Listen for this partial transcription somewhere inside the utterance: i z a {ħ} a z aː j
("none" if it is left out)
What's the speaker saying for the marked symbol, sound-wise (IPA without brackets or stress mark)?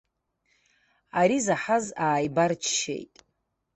ħ